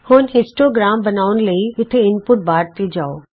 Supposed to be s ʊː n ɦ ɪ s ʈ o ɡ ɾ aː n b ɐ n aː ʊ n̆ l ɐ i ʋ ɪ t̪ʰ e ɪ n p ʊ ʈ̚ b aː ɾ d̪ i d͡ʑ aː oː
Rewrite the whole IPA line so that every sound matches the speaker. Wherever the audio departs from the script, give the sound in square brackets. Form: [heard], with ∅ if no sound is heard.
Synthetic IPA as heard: [h] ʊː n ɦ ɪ s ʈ o ɡ ɾ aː [m] b ɐ n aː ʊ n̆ l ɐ i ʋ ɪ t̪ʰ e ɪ n p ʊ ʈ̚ b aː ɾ [t̪] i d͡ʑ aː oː